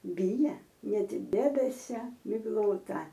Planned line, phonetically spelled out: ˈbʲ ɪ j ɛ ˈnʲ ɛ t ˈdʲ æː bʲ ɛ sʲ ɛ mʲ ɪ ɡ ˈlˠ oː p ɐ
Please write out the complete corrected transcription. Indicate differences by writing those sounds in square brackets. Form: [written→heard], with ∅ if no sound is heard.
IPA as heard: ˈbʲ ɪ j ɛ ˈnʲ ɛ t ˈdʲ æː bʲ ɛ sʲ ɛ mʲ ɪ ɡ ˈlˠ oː [p→t] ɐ